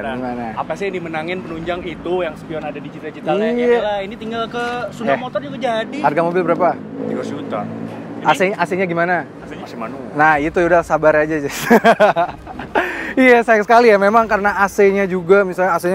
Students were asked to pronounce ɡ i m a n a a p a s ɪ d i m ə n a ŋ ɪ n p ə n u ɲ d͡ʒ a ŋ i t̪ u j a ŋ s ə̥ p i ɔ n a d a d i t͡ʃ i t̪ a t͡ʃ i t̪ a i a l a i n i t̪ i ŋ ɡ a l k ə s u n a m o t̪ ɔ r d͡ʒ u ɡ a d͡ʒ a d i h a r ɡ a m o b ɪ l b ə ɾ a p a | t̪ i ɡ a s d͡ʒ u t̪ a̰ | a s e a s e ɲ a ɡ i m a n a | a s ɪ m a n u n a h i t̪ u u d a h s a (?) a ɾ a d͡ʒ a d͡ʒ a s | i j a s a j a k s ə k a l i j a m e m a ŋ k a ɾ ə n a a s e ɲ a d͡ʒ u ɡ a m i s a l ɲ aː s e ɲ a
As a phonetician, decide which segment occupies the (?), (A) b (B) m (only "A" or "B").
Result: A